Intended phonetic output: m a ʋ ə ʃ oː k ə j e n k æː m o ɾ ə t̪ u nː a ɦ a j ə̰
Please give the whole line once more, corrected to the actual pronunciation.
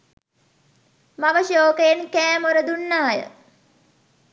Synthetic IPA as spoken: m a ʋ ə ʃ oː k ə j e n k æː m o ɾ ə d̪ u nː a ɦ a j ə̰